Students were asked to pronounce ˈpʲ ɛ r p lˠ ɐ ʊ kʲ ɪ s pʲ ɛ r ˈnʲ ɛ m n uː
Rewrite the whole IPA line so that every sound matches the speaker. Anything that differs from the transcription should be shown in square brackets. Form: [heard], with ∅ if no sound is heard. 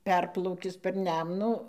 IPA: ˈpʲ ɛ r p lˠ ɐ ʊ kʲ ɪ s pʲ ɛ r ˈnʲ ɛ m n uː